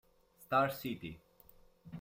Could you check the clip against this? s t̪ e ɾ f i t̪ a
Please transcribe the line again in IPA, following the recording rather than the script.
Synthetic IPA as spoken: s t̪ a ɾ s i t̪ i